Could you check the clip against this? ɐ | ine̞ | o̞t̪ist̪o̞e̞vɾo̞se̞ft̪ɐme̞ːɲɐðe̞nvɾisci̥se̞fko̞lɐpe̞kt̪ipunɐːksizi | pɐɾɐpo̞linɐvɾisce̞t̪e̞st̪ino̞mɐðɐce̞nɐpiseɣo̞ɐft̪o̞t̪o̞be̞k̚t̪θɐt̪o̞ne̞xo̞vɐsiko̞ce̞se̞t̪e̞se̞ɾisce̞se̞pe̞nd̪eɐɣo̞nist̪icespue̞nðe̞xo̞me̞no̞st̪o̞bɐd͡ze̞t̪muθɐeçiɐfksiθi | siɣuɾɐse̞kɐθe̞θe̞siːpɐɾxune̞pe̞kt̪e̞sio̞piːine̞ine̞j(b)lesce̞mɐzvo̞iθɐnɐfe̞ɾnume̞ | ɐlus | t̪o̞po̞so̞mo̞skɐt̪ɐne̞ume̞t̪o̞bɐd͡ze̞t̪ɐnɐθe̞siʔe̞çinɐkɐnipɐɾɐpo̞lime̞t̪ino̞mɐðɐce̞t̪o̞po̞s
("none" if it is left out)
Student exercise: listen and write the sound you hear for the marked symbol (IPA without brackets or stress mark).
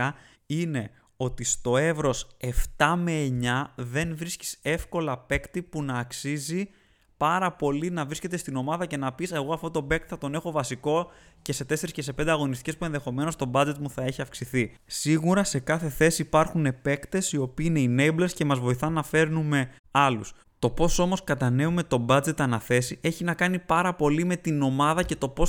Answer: b